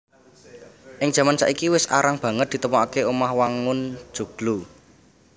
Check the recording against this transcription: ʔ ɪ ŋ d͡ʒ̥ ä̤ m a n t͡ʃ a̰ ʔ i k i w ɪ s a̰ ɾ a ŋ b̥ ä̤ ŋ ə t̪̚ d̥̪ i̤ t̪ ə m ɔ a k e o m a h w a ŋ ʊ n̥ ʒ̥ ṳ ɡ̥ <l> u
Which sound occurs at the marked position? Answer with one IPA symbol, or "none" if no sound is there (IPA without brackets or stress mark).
l